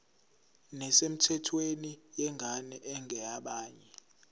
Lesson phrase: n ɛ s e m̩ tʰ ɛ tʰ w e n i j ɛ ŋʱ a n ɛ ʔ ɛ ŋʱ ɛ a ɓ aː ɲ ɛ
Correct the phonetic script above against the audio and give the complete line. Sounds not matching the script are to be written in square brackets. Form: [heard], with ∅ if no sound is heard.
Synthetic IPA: n ɛ s e m̩ tʰ ɛ tʰ w e n i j ɛ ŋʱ a n ɛ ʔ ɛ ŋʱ ɛ a ɓ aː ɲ ɛ